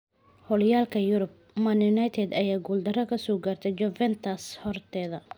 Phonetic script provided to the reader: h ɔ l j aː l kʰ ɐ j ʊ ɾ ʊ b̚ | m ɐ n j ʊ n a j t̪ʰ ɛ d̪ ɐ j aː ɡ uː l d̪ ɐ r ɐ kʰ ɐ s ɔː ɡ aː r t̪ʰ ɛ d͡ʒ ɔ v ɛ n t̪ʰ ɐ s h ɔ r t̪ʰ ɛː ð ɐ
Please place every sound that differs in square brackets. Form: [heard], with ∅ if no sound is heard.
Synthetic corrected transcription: h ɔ l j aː l kʰ ɐ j ʊ ɾ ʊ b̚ | m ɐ n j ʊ n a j t̪ʰ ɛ d̪ ɐ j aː ɡ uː l d̪ ɐ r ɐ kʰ ɐ s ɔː ɡ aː r t̪ʰ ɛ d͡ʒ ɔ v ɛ n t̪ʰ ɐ s h ɔ r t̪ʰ ɛː ð ɐ